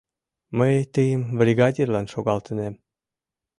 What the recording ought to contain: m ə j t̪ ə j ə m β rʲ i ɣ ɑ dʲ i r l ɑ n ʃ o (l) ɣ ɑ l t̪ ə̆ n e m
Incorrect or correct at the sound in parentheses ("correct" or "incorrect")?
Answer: incorrect